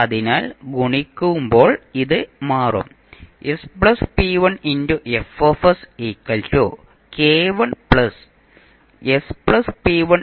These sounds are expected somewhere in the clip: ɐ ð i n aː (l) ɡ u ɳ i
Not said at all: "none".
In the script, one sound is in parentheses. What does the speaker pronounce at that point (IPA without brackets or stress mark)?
l